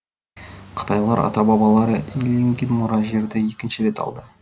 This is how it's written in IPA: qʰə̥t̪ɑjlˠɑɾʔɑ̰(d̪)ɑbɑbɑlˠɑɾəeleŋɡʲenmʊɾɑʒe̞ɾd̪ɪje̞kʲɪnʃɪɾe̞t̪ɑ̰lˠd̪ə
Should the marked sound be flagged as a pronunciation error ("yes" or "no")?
yes